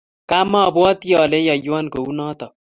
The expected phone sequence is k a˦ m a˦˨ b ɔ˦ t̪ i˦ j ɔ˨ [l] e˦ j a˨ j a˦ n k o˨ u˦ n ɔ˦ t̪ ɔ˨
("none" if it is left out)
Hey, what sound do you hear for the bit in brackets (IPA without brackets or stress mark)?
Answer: l